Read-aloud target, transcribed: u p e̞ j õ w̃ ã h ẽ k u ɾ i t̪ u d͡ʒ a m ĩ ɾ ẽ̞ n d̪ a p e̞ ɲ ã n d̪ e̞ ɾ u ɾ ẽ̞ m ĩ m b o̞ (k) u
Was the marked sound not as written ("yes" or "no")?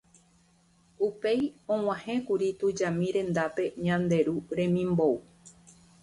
yes